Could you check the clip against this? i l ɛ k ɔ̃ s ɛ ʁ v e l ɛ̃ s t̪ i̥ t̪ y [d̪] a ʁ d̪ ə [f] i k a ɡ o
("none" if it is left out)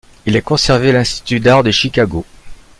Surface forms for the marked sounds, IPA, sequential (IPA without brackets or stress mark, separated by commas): d̪, ʃ